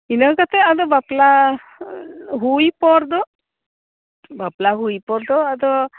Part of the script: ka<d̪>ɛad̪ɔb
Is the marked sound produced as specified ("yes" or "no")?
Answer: no